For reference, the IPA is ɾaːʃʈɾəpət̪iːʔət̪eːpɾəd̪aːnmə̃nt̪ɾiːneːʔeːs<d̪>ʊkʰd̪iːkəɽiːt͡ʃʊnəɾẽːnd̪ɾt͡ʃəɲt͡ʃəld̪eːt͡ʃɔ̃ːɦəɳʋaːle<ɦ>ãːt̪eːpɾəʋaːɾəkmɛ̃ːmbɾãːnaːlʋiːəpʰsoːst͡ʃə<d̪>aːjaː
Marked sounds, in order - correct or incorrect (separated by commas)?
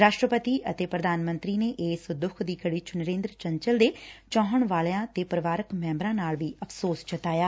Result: correct, incorrect, incorrect